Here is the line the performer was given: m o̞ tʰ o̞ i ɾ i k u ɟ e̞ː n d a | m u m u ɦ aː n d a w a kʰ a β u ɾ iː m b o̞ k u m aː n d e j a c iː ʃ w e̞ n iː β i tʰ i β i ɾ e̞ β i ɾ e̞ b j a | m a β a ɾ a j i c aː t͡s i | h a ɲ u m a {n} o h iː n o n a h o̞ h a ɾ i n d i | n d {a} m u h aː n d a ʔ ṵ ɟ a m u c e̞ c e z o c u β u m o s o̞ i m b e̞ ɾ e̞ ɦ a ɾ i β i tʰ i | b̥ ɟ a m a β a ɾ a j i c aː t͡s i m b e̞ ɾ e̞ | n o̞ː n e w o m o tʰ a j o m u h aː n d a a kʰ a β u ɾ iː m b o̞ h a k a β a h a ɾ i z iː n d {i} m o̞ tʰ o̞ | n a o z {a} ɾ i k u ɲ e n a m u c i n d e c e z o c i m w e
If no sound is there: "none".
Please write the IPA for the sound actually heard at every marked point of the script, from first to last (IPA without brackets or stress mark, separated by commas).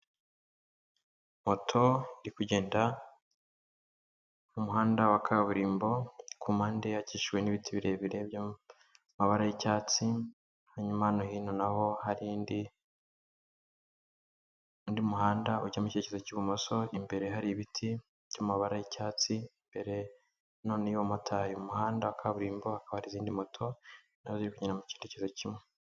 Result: n, i, i, i